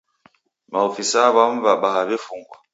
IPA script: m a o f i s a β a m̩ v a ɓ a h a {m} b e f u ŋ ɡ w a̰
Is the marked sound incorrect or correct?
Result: incorrect